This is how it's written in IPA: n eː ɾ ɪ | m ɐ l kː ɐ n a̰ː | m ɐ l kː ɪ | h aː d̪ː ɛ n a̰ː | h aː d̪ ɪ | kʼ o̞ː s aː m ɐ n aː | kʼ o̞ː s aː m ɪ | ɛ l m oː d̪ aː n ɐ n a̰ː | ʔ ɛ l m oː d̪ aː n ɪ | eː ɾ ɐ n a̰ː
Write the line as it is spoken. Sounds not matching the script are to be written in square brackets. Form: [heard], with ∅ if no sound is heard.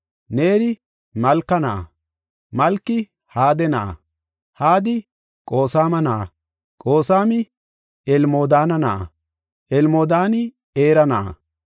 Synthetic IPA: n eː ɾ ɪ | m ɐ l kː ɐ n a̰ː | m ɐ l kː ɪ | h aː [d̪] ɛ n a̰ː | h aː d̪ ɪ | kʼ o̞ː s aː m ɐ n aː | kʼ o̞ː s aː m ɪ | ɛ l m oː d̪ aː n ɐ n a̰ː | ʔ ɛ l m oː d̪ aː n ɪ | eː ɾ ɐ n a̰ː